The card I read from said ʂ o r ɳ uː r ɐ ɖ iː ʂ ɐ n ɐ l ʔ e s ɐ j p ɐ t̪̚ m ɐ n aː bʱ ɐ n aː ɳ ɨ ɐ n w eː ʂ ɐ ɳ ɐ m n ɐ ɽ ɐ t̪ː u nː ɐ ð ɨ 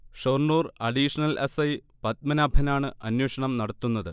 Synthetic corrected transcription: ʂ o r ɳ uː r ɐ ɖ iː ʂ ɐ n ɐ l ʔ e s ɐ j p ɐ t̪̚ m ɐ n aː bʱ ɐ n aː ɳ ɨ ɐ n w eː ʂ ɐ ɳ ɐ m n ɐ ɽ ɐ t̪ː u nː ɐ ð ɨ